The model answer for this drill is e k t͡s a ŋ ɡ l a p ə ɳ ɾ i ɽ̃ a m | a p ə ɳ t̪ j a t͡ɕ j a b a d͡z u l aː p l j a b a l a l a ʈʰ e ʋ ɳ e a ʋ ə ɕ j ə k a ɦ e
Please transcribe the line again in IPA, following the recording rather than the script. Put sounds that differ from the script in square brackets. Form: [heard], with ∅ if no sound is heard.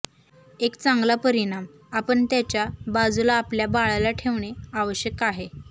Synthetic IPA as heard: e k t͡s a ŋ ɡ l a p ə [∅] ɾ i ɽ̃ a m | a p ə ɳ t̪ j a t͡ɕ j a b a d͡z u l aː p l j a b a [ɭ] a l a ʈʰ e ʋ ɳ e a ʋ ə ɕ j ə k a ɦ e

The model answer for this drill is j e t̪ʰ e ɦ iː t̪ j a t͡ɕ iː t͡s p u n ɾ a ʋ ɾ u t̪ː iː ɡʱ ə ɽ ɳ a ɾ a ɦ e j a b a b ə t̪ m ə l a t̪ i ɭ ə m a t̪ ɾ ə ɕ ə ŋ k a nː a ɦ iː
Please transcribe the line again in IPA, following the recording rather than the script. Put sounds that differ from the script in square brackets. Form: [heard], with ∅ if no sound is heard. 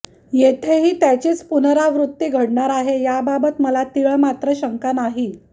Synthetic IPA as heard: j e t̪ʰ e ɦ iː t̪ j a t͡ɕ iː t͡s p u n ɾ a ʋ ɾ u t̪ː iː ɡʱ ə ɽ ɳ a ɾ a ɦ e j a b a b ə t̪ m ə l a t̪ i ɭ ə m a t̪ ɾ ə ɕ ə ŋ k a [n] a ɦ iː

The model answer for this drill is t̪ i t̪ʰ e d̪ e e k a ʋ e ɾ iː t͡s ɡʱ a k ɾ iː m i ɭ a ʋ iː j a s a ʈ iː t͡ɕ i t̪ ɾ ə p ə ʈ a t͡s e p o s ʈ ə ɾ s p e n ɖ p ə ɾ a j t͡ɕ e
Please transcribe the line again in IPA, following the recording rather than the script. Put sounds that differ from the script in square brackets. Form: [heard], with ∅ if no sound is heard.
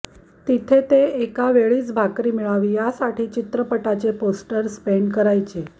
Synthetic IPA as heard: t̪ i t̪ʰ e [t̪] e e k a ʋ e [ɭ] iː t͡s [bʱ] a k ɾ iː m i ɭ a ʋ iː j a s a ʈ iː t͡ɕ i t̪ ɾ ə p ə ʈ a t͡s e p o s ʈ ə ɾ s p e [ɳ] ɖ [k] ə ɾ a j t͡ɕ e

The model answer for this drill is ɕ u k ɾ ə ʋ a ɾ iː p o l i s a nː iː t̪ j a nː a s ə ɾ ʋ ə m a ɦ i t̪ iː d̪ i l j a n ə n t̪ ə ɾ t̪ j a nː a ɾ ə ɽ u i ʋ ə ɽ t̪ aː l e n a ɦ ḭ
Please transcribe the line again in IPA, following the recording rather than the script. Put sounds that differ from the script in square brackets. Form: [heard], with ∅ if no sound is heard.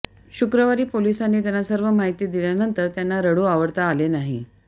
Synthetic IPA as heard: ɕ u k ɾ ə ʋ a ɾ iː p o l i s a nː iː t̪ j a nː a s ə ɾ ʋ ə m a ɦ i t̪ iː d̪ i l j a n ə n t̪ ə ɾ t̪ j a nː a ɾ ə ɽ u [a] ʋ ə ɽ t̪ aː l e n a ɦ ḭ

